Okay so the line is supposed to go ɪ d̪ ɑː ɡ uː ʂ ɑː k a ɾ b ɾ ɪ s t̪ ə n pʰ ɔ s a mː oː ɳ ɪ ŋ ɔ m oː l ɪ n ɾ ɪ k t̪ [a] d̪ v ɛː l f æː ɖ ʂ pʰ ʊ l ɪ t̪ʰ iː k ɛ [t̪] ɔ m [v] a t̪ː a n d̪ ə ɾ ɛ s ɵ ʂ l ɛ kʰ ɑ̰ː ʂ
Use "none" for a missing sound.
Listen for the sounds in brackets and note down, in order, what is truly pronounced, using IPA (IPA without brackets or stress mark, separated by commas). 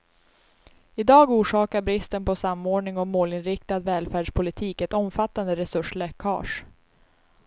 a, t̪, f